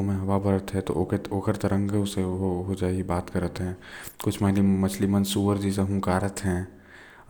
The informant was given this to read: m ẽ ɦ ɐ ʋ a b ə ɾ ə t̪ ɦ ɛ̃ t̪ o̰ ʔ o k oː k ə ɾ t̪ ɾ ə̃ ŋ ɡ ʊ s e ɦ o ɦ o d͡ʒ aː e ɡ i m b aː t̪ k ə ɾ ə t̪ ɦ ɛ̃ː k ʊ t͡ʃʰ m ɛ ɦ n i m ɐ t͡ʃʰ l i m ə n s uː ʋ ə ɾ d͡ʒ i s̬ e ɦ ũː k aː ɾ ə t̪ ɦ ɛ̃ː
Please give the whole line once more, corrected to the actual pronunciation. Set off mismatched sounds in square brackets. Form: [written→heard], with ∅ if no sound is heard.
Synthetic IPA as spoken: m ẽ ɦ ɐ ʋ a b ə ɾ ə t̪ ɦ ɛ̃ t̪ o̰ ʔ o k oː k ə ɾ t̪ ɾ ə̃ ŋ ɡ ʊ s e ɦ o ɦ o d͡ʒ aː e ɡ i [m→∅] b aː t̪ k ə ɾ ə t̪ ɦ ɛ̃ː k ʊ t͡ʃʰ m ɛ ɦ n i m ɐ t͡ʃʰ l i m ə n s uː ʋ ə ɾ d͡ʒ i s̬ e ɦ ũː k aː ɾ ə t̪ ɦ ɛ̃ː